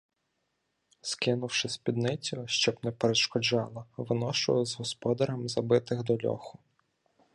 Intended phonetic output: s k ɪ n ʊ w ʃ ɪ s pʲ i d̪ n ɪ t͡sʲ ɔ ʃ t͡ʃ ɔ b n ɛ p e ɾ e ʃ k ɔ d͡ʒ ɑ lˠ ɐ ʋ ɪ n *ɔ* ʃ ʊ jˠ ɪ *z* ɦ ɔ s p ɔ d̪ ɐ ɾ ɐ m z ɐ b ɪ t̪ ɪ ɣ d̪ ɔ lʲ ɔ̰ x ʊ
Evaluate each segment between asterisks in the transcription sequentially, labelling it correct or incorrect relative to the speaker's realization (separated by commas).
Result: correct, correct